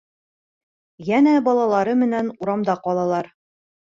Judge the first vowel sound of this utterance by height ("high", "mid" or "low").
low